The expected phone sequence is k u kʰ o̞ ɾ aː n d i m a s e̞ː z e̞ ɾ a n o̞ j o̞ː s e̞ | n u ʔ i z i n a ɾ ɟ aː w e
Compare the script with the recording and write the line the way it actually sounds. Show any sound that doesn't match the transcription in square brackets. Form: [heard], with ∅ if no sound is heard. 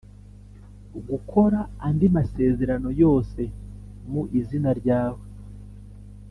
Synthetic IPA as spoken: [ɡ] u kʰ o̞ ɾ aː n d i m a s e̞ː z e̞ ɾ a n o̞ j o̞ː s e̞ | [m] u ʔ i z i n a ɾ ɟ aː w e